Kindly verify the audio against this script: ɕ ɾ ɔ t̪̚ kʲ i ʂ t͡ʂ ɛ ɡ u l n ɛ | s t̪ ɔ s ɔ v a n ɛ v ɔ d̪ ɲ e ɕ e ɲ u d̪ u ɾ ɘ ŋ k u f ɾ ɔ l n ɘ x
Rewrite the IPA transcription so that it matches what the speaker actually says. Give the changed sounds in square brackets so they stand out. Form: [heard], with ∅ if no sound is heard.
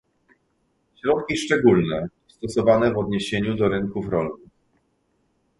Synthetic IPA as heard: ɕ ɾ ɔ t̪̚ kʲ i ʂ t͡ʂ ɛ ɡ u l n ɛ | s t̪ ɔ s ɔ v a n ɛ v ɔ d̪ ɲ e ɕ e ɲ u d̪ [ɔ] ɾ ɘ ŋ k u f ɾ ɔ l n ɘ x